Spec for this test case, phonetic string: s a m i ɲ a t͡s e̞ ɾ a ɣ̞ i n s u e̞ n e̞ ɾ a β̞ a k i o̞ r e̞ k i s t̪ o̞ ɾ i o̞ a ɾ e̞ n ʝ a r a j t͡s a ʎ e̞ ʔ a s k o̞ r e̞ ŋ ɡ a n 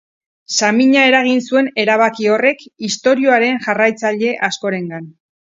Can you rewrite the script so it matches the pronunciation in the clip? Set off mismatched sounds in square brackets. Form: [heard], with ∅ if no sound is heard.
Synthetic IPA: s a m i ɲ a [∅] e̞ ɾ a ɣ̞ i n s u e̞ n e̞ ɾ a β̞ a k i o̞ r e̞ k i s t̪ o̞ ɾ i o̞ a ɾ e̞ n ʝ a r a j t͡s a ʎ e̞ ʔ a s k o̞ [ɾ] e̞ ŋ ɡ a n